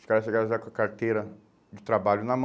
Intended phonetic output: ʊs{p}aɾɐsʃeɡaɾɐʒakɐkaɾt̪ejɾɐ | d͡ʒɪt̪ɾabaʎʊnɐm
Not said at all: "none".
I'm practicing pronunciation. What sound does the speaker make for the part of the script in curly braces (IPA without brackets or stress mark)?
k